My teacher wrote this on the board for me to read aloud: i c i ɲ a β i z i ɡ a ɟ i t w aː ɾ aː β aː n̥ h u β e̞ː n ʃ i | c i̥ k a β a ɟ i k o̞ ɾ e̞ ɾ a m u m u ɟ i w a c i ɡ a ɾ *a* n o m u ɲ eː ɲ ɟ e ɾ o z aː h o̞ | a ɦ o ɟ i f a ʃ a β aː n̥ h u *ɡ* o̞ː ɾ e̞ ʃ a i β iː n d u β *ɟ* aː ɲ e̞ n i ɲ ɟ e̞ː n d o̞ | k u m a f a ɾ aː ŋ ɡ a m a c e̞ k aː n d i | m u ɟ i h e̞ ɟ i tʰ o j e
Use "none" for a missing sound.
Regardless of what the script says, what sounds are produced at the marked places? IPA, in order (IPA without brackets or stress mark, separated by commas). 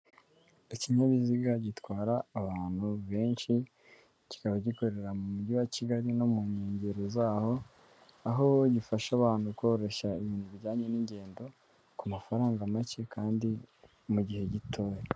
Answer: i, k, ɟ